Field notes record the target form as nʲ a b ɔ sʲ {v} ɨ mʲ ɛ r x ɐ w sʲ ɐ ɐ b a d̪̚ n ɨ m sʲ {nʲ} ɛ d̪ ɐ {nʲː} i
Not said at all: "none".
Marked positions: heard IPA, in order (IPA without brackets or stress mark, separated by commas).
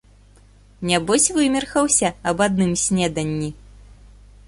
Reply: v, nʲ, nʲː